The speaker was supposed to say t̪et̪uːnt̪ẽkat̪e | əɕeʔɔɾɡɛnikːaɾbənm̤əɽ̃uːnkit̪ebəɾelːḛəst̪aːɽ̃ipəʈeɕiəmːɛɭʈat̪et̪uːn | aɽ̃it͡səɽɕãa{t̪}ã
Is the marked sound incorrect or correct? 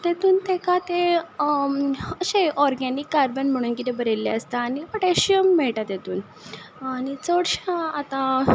correct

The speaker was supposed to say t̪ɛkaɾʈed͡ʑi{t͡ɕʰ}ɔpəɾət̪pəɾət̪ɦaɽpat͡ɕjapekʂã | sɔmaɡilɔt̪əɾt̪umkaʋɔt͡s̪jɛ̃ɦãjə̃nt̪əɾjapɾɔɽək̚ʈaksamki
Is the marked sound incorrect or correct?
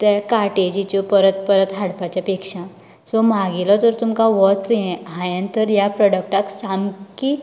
incorrect: t͡ɕ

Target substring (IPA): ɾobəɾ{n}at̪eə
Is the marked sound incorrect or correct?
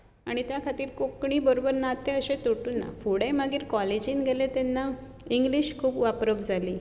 correct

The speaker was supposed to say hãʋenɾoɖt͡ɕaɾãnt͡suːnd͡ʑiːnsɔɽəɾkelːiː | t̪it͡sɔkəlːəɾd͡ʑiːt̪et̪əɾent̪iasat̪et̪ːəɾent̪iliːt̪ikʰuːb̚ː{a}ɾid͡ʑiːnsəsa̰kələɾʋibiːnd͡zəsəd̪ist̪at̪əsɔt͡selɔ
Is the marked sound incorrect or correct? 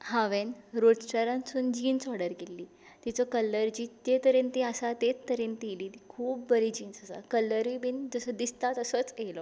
incorrect: ə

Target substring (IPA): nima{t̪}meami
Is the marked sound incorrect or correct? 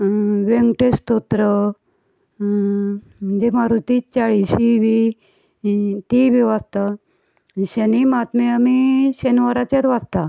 correct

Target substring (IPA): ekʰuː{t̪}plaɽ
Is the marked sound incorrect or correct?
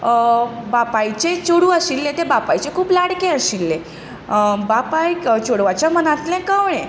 incorrect: none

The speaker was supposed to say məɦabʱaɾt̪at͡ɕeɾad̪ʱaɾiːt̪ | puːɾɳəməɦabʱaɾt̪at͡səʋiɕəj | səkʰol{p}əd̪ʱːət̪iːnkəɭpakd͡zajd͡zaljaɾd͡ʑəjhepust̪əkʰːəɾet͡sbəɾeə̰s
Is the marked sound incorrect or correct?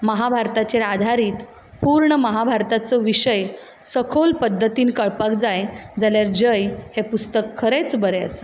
correct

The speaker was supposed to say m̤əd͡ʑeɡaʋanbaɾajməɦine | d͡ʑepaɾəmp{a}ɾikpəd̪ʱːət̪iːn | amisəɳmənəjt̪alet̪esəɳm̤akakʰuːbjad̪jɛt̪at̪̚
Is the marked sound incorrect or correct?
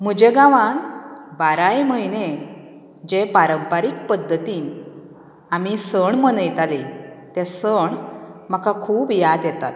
correct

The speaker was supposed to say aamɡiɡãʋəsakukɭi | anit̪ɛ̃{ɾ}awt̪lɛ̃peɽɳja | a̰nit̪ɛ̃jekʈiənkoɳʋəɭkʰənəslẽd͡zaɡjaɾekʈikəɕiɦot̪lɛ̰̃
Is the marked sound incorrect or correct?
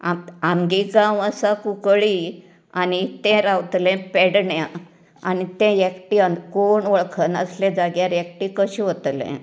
correct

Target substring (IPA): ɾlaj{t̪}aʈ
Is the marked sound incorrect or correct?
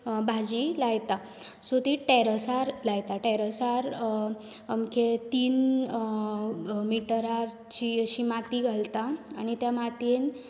correct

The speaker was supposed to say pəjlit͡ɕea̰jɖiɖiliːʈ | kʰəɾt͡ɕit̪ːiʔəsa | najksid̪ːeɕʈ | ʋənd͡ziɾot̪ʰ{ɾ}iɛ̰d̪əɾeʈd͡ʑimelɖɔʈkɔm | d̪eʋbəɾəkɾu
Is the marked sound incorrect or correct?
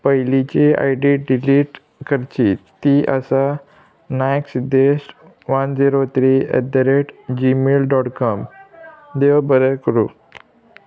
correct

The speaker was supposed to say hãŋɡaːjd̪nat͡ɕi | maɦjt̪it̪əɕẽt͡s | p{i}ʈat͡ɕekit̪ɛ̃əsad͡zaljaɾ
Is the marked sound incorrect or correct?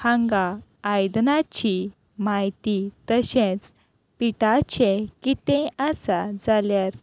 correct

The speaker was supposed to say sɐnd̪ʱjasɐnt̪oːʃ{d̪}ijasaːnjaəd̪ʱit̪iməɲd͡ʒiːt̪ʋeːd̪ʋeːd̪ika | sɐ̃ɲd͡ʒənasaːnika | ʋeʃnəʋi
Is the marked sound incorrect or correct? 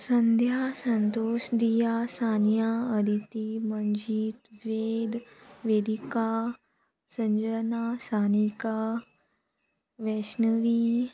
correct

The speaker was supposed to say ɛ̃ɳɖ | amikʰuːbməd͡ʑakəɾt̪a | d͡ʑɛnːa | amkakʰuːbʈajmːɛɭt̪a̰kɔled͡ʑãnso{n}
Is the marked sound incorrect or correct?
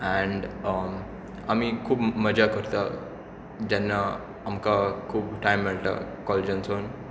correct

